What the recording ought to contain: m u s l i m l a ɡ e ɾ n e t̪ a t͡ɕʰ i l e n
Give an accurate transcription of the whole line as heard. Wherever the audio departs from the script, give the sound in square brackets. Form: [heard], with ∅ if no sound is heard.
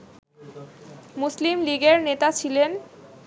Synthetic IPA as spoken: m u s l i m l [i] ɡ e ɾ n e t̪ a t͡ɕʰ i l e n